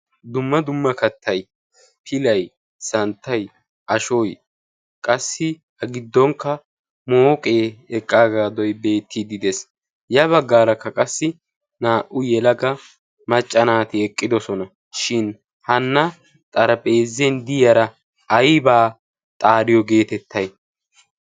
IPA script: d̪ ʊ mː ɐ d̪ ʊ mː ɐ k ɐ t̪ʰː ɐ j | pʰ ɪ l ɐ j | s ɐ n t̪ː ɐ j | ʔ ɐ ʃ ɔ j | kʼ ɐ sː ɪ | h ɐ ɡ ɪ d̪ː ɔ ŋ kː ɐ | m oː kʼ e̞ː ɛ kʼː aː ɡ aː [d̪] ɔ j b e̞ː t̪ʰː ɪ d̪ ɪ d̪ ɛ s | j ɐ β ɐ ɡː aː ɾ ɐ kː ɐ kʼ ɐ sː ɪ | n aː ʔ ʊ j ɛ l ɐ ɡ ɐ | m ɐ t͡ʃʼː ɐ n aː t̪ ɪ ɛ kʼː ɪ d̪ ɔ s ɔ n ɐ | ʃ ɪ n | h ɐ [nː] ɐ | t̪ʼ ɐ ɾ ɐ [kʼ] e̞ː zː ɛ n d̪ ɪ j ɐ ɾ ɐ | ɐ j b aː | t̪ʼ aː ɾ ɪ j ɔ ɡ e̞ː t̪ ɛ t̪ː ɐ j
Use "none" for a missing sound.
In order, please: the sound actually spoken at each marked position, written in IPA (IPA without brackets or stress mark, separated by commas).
d̪, nː, pʼ